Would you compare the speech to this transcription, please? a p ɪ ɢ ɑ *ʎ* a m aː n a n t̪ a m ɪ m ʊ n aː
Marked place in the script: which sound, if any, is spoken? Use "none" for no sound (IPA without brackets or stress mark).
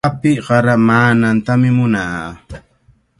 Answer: ɾ